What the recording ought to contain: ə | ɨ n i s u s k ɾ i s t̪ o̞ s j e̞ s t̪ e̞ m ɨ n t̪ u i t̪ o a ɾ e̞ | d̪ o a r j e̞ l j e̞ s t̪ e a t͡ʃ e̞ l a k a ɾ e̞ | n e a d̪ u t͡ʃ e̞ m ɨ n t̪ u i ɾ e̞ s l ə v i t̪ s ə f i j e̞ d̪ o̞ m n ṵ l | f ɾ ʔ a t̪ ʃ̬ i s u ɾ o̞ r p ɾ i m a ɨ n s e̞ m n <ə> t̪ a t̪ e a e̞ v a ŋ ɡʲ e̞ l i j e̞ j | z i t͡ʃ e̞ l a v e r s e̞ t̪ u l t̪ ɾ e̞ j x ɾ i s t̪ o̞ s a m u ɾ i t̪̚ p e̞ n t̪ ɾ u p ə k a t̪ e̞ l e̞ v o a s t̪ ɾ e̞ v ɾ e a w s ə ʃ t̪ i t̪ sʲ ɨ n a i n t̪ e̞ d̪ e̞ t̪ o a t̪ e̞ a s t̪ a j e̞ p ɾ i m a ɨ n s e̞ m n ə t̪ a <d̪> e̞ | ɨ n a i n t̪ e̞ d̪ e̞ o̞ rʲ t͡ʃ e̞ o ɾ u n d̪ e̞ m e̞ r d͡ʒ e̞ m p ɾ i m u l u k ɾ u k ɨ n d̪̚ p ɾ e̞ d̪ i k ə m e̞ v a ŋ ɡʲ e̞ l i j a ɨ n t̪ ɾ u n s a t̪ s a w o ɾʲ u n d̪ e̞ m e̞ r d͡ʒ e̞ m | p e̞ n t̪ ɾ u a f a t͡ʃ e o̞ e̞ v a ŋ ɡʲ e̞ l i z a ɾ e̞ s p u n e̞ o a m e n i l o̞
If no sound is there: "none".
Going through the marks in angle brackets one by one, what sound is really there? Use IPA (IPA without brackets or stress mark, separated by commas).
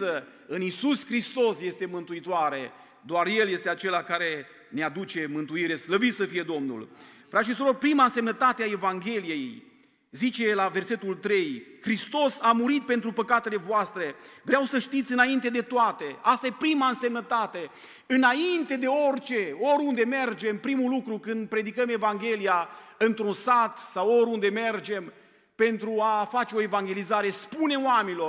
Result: ə, t̪